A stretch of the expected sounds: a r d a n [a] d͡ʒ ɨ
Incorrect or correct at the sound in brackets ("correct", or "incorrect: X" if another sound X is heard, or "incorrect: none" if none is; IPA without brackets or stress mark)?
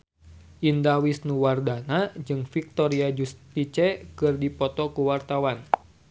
correct